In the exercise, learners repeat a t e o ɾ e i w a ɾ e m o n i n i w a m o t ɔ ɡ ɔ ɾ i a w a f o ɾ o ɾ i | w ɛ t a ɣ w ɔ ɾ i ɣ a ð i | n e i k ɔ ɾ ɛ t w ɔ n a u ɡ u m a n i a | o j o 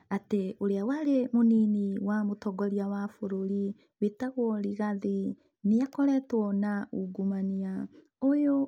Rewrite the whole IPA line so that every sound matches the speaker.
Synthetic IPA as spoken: a t e o ɾ e a w a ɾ e m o n i n i w a m o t ɔ ɡ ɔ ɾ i a w a f o ɾ o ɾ i | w e t a ɣ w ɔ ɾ i ɣ a ð i | n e a k ɔ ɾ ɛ t w ɔ n a u ɡ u m a n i a | o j o